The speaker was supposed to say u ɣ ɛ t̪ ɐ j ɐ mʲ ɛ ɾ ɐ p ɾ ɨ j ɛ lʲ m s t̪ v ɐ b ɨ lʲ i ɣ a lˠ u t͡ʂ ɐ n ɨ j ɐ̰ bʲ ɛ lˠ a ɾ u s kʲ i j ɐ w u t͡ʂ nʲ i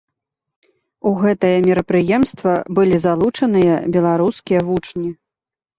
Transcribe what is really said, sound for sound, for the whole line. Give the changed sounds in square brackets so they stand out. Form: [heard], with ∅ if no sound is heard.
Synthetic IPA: u ɣ ɛ t̪ ɐ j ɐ mʲ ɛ ɾ ɐ p ɾ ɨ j ɛ [∅] m s t̪ v ɐ b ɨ lʲ i [z] a lˠ u t͡ʂ ɐ n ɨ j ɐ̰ bʲ ɛ lˠ a ɾ u s kʲ i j ɐ [v] u t͡ʂ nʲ i